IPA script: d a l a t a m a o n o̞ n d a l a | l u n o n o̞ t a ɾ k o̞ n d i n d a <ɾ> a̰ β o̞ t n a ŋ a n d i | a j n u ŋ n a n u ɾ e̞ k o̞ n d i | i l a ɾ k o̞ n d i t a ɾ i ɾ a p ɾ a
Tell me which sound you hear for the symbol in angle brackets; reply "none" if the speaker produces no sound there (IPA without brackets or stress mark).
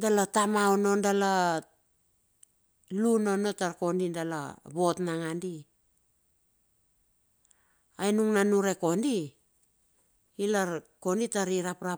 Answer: l